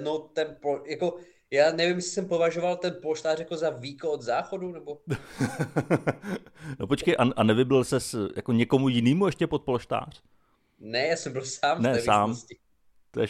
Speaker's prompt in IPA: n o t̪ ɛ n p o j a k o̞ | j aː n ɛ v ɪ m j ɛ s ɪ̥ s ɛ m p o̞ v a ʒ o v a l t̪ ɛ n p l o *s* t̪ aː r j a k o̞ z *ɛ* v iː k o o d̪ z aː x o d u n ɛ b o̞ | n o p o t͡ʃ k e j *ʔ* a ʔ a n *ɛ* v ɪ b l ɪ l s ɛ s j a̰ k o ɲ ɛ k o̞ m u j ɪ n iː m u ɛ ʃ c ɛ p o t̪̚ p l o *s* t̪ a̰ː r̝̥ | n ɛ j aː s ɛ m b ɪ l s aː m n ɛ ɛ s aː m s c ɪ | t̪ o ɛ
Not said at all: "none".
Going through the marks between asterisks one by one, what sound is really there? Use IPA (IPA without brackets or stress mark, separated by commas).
ʃ, a, ʔ, ɛ, ʃ